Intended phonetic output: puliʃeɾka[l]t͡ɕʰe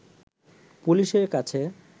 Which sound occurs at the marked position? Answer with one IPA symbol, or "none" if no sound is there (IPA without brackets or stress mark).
none